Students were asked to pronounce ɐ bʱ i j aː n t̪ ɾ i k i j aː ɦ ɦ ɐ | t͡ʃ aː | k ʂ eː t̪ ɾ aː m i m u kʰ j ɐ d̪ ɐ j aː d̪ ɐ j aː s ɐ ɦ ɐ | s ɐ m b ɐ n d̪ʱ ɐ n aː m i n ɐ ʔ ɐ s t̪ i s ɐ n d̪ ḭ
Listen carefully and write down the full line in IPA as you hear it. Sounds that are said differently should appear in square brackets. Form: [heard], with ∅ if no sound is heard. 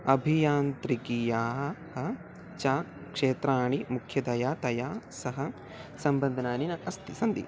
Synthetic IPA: ɐ bʱ i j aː n t̪ ɾ i k i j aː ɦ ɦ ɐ | t͡ʃ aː | k ʂ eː t̪ ɾ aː [ɳ] i m u kʰ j ɐ d̪ ɐ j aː [t̪] ɐ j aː s ɐ ɦ ɐ | s ɐ m b ɐ n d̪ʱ ɐ n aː [n] i n ɐ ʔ ɐ s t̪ i s ɐ n d̪ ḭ